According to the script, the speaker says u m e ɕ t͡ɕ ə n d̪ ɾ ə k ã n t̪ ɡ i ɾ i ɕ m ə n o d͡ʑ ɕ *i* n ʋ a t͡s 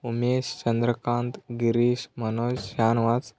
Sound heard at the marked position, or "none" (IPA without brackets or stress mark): a